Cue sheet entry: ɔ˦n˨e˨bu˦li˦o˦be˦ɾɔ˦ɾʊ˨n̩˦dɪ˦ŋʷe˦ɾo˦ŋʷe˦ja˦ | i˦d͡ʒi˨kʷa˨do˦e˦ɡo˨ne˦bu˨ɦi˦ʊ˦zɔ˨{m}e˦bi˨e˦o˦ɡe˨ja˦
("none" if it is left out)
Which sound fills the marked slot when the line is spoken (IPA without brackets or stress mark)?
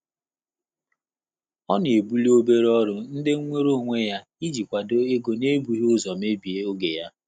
m